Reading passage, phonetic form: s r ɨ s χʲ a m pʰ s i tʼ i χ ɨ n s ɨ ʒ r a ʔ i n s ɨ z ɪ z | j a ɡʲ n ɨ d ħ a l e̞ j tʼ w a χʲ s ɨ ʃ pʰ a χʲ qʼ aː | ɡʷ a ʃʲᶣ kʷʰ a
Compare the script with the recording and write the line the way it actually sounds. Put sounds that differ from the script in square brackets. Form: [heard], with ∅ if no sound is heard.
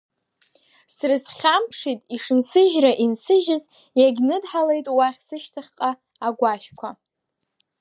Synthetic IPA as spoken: s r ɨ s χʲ a m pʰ [ʂ] i tʼ i [ʂ] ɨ n s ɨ ʒ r a ʔ i n s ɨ [ʒ] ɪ z | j a ɡʲ n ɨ d ħ a l e̞ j tʼ w a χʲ s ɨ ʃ [tʰ] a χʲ qʼ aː | ɡʷ a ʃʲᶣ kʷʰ a